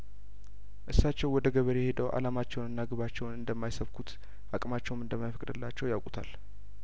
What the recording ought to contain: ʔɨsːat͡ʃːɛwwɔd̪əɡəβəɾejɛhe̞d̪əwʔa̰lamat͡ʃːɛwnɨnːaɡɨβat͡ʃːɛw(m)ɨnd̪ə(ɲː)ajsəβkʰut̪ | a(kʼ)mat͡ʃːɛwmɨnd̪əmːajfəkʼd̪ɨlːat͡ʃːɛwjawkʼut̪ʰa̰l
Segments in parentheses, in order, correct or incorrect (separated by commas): incorrect, incorrect, correct